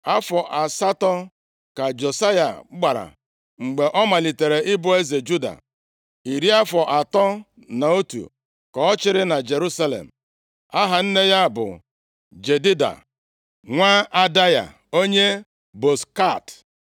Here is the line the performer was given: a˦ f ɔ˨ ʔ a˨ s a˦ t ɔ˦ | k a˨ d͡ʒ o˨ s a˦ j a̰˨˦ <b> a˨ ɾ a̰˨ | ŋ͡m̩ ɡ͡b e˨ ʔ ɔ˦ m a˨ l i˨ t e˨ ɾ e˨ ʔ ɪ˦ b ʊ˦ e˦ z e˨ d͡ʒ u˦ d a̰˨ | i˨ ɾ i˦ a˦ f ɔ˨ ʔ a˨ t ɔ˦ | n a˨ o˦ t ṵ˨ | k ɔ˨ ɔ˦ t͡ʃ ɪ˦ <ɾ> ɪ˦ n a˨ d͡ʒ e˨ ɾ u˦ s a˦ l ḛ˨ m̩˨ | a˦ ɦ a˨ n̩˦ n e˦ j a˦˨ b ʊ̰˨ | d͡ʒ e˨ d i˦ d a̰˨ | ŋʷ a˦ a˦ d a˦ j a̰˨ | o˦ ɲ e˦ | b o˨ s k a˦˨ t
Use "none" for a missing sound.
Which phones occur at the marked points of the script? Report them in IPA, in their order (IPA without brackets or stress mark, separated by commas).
ɡ͡b, ɾ